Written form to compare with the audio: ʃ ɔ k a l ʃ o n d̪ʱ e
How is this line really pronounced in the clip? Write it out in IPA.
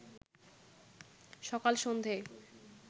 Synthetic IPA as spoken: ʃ ɔ k a l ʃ o n d̪ʱ e